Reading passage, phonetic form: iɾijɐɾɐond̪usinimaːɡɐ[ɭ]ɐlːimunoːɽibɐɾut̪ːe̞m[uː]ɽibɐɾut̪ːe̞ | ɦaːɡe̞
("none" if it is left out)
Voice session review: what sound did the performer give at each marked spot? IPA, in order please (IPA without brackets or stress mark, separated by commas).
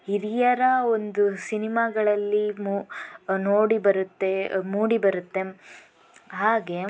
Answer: ɭ, uː